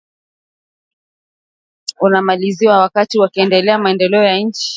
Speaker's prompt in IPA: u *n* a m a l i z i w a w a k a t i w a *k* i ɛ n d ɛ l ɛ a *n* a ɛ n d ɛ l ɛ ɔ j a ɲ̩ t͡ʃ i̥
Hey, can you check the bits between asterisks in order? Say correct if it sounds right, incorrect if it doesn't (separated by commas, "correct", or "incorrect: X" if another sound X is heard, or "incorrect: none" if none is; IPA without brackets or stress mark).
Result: correct, correct, incorrect: m